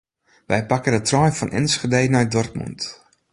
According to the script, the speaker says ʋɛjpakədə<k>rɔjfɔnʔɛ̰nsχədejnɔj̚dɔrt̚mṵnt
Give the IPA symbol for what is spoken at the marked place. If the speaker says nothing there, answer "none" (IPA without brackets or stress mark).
t